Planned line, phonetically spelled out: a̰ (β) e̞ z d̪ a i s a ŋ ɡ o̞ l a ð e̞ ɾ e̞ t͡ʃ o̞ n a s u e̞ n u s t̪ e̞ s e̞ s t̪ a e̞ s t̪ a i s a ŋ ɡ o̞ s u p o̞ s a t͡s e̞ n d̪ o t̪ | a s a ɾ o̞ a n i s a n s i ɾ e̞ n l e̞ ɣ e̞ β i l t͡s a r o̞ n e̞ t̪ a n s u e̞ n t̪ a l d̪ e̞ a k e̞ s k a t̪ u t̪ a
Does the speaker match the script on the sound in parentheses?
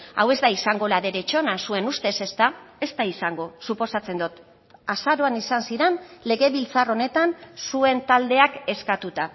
no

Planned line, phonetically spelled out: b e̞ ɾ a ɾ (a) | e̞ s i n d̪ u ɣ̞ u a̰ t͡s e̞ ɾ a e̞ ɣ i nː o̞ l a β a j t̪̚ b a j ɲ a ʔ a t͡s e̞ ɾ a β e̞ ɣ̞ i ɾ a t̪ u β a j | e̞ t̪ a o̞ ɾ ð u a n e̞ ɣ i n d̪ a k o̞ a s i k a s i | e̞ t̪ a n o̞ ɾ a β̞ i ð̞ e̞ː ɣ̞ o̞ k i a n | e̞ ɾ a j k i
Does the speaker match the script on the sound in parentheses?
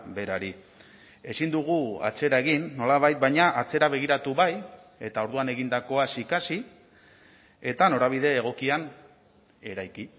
no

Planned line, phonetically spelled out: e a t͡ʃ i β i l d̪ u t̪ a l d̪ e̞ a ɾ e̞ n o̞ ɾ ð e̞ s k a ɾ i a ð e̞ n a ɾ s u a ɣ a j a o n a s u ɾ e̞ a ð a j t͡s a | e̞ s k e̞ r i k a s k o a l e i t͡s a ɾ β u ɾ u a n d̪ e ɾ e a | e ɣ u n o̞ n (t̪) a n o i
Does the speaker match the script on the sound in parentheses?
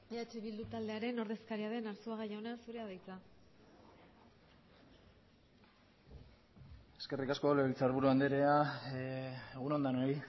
no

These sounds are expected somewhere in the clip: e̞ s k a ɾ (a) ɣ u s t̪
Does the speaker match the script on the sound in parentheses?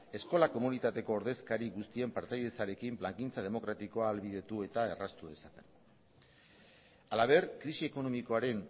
no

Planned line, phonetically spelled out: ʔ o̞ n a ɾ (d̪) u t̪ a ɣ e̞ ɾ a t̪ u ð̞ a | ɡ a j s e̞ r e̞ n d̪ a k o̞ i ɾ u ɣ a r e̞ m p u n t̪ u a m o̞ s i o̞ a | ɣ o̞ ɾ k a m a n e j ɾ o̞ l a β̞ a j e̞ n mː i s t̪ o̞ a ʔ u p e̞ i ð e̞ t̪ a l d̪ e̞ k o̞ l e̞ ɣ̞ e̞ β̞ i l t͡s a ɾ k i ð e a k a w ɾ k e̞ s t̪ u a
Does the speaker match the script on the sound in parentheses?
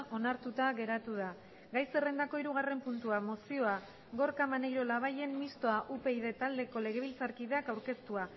no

